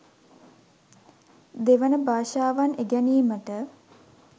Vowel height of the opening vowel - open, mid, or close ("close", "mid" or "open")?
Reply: mid